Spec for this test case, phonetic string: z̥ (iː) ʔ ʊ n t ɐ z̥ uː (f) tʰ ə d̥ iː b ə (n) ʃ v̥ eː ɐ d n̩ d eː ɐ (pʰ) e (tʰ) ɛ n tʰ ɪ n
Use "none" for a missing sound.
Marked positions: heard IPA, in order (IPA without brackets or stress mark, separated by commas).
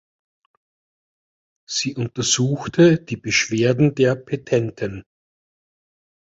iː, x, none, pʰ, tʰ